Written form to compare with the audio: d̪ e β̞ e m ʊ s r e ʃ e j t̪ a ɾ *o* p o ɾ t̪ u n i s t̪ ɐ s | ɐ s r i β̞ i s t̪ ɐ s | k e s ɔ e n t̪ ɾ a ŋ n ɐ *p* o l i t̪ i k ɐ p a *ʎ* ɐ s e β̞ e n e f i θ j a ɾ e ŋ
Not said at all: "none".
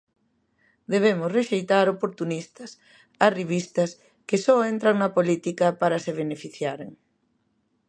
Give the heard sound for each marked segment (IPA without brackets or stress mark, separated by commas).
o, p, ɾ